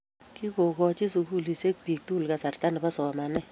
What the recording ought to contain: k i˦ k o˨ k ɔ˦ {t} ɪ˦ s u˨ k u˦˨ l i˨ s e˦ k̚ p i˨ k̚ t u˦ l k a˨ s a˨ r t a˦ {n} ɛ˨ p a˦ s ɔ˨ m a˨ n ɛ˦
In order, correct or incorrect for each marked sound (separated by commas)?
incorrect, correct